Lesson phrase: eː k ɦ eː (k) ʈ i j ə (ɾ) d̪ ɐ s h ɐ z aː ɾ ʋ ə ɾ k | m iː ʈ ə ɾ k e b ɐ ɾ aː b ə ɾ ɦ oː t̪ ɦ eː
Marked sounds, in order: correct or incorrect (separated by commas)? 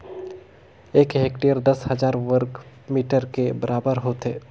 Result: correct, correct